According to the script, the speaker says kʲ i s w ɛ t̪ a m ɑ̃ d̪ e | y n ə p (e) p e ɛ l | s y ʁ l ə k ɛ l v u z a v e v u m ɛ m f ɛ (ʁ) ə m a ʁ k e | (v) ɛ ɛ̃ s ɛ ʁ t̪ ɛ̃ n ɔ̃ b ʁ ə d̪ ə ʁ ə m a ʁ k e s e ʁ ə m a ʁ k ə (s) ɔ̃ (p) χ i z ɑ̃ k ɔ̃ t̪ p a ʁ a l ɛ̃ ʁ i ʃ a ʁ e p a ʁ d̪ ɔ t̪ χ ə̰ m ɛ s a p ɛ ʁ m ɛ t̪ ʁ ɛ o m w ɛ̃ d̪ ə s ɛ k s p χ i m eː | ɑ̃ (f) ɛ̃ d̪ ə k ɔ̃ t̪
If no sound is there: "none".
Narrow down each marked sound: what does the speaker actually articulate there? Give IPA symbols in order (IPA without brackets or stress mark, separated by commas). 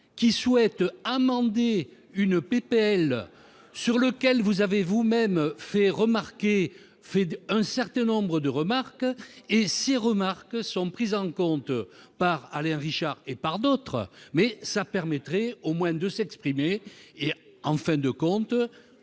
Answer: e, ʁ, f, s, p, f